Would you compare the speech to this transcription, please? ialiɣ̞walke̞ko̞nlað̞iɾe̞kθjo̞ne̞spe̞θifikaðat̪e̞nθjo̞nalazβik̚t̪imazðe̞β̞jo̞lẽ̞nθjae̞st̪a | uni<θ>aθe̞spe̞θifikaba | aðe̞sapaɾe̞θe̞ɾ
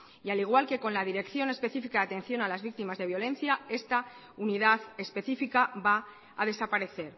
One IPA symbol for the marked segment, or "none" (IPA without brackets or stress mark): ð